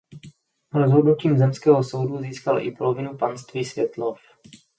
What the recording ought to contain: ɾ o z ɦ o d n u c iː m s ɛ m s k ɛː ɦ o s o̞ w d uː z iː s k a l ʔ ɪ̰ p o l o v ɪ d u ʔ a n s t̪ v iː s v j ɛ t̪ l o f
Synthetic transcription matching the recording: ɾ o z ɦ o d n u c iː m z ɛ m s k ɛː ɦ o s o̞ w d u z iː s k a l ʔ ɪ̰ p o l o v ɪ n u p a n s t̪ v iː s v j ɛ t̪ l o f